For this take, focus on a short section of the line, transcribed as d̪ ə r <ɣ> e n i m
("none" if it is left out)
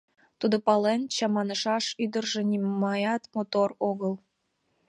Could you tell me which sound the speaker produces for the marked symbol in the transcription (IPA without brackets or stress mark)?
ʒ